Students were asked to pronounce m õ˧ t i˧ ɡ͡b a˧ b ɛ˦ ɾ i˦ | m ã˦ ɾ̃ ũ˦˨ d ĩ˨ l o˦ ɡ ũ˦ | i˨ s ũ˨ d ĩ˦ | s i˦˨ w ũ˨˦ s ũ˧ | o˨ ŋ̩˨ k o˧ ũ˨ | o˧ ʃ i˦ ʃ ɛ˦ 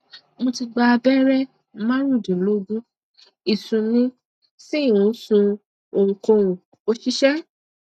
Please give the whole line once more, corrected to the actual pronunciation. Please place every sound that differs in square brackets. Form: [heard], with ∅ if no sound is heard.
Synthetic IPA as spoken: m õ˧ t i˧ ɡ͡b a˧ b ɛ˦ ɾ [ɛ˦] | m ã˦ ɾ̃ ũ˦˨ d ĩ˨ l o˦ ɡ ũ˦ | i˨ s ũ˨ [n] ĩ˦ | s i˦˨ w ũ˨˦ s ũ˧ | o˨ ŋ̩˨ k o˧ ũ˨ | o˧ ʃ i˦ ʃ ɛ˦